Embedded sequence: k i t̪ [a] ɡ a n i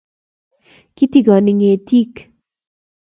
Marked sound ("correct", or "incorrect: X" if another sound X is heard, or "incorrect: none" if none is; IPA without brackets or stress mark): incorrect: i